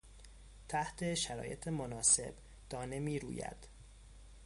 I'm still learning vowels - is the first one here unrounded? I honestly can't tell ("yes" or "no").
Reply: yes